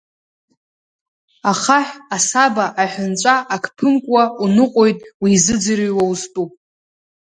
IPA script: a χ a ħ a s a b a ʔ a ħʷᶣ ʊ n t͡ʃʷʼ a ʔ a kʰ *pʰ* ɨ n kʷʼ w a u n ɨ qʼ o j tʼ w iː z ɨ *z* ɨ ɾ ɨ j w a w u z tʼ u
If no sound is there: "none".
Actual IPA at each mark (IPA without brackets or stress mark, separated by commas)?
pʰ, d͡z